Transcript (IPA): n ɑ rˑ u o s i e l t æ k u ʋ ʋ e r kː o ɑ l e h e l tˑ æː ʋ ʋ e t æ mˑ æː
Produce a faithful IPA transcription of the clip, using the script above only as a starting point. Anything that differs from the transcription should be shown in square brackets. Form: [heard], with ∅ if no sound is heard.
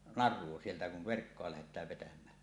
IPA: n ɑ rˑ u o s i e l t æ k u ʋ ʋ e r kː o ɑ l [æ] h e [∅] tˑ æː ʋ ʋ e t æ mˑ æː